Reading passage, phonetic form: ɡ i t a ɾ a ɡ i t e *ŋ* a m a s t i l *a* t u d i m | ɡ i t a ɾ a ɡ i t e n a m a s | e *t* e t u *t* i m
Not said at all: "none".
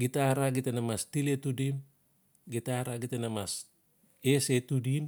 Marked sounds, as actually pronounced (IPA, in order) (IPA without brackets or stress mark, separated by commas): n, e, s, d